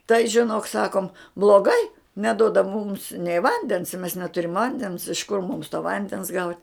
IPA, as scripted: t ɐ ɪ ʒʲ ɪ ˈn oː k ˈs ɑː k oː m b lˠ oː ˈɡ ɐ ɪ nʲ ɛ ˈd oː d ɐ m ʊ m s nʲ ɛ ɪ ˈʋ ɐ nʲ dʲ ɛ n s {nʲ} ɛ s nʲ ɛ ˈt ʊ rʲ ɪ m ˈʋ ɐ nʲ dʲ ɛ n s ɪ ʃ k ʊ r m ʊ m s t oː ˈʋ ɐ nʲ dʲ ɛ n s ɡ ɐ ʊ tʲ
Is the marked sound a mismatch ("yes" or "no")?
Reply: yes